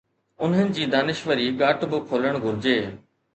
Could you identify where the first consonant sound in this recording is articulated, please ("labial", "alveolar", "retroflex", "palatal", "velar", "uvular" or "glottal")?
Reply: alveolar